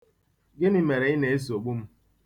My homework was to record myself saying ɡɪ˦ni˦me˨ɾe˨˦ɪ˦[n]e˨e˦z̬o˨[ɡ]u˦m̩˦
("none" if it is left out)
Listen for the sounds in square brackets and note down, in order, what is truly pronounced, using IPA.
n, ɡ͡b

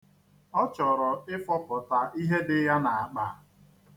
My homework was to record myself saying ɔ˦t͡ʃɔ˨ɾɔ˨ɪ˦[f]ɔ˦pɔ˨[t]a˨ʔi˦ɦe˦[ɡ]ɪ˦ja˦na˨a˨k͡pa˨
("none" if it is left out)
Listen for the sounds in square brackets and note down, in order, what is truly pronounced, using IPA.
f, t, d

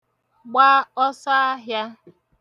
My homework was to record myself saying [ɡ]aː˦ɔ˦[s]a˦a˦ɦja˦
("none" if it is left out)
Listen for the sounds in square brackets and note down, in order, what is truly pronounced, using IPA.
ɡ͡b, s

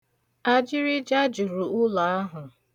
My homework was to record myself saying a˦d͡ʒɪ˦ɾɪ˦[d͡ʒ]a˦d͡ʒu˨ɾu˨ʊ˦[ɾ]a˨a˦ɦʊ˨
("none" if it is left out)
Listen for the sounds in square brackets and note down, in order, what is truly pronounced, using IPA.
d͡ʒ, l

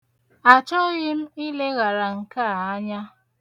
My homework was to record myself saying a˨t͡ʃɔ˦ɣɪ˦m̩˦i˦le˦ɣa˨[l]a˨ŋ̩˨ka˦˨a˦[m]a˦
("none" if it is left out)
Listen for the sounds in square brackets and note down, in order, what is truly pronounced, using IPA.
ɾ, ɲ

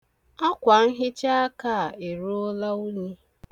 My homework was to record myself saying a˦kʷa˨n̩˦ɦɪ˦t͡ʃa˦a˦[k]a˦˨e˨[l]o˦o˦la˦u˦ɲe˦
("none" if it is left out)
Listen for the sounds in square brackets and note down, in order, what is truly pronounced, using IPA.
k, ɾ

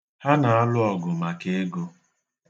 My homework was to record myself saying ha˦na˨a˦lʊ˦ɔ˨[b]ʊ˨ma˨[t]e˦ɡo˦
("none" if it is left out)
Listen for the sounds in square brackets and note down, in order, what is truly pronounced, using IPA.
ɡ, k

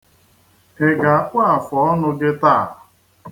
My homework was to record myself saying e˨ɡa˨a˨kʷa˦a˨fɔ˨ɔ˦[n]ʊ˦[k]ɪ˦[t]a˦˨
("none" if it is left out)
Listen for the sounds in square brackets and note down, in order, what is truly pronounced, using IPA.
n, ɡ, t

